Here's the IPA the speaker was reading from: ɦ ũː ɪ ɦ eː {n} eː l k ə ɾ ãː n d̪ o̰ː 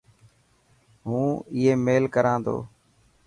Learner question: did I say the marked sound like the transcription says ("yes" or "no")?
no